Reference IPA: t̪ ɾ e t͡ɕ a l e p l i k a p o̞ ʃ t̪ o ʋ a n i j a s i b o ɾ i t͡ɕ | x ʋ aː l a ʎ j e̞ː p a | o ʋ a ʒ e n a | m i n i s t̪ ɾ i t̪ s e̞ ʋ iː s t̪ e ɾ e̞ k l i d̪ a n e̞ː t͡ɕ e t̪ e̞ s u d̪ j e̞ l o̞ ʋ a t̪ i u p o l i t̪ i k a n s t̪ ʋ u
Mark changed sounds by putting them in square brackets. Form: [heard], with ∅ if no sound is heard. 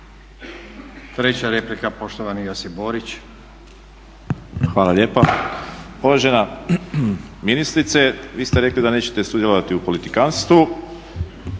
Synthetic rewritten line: t̪ ɾ e t͡ɕ a [ɾ] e p l i k a p o̞ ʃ t̪ o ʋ a n i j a s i b o ɾ i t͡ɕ | x ʋ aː l a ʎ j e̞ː p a | o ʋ a ʒ e n a | m i n i s t̪ ɾ i t̪ s e̞ ʋ iː s t̪ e ɾ e̞ k l i d̪ a n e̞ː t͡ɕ e t̪ e̞ s u d̪ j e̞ l o̞ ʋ a t̪ i u p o l i t̪ i k a n s t̪ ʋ u